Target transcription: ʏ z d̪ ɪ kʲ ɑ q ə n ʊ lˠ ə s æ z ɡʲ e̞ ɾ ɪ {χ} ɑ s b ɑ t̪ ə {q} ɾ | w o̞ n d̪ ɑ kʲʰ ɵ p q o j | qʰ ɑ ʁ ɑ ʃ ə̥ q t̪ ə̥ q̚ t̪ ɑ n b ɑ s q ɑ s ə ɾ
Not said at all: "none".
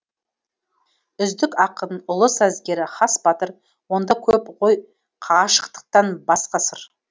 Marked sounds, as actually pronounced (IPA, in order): χ, none

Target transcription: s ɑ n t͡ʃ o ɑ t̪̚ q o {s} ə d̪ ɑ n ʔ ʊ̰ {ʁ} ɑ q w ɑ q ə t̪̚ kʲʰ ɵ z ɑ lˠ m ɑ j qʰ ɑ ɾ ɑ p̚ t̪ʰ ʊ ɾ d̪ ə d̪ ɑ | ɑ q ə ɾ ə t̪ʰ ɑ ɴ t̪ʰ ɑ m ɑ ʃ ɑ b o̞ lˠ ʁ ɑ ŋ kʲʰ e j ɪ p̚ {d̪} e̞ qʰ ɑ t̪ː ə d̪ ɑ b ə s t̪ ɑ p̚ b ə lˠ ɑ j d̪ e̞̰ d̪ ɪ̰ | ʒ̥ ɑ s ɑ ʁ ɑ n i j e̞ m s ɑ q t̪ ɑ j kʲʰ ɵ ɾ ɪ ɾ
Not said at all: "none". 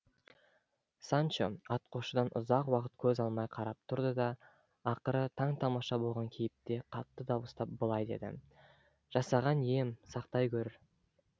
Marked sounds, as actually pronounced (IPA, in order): ʃ, z, t̪

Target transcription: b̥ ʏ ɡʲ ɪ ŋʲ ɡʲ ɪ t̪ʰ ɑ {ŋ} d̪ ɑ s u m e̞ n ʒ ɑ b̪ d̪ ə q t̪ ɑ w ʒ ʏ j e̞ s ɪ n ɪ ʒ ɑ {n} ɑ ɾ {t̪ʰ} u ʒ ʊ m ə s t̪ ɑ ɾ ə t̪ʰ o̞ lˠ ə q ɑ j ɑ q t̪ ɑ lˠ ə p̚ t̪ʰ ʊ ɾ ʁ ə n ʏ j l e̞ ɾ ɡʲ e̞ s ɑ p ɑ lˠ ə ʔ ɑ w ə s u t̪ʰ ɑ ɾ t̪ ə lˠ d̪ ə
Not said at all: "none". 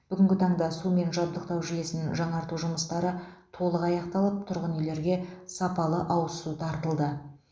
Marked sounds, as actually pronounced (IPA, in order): ɴ, ɴ, t̪

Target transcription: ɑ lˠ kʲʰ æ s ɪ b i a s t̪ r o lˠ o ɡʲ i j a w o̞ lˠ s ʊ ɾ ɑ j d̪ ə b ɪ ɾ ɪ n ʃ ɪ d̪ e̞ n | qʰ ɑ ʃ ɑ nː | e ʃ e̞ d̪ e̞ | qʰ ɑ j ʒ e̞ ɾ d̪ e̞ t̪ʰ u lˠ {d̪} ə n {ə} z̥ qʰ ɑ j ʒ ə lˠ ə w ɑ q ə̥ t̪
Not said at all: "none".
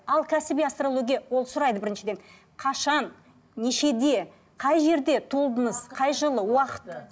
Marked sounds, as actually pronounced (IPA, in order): d̪, ə

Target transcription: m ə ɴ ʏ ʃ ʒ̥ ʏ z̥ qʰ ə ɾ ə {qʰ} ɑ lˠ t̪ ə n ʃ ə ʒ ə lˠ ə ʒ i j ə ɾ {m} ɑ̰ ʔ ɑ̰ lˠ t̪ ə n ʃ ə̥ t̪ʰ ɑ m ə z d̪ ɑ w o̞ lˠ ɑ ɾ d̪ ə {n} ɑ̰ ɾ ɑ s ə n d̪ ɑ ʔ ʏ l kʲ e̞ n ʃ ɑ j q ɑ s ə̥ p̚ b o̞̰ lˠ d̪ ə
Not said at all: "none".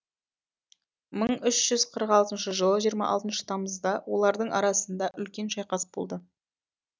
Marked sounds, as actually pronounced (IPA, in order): q, m, ɴ

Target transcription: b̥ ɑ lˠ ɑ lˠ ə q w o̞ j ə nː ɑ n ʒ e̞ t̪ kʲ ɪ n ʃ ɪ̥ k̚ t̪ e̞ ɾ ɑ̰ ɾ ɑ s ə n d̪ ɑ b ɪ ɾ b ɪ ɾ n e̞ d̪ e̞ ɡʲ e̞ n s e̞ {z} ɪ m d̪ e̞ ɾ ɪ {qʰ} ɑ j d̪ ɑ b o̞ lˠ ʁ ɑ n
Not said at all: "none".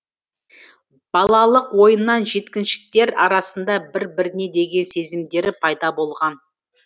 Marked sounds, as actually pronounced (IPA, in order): z, pʰ

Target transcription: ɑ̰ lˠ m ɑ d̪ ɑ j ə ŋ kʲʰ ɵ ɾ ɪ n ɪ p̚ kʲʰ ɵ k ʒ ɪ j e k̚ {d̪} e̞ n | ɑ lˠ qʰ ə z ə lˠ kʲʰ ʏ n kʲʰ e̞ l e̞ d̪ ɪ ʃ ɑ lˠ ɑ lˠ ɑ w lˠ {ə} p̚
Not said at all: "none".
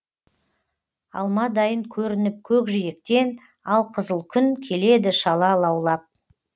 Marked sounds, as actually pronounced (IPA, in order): t̪, ɑ

